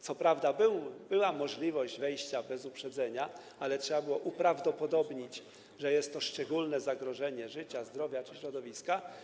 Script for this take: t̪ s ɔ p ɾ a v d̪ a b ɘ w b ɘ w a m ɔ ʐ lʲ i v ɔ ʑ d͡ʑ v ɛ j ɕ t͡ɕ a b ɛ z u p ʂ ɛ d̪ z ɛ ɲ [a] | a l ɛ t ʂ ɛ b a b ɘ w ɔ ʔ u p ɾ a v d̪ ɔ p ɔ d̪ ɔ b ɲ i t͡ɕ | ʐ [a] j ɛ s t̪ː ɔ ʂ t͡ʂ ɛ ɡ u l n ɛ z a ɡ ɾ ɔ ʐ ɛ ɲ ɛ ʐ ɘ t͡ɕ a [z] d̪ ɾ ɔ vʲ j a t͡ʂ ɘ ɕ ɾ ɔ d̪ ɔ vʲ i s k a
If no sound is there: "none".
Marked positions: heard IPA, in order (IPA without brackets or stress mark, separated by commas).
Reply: a, ɛ, z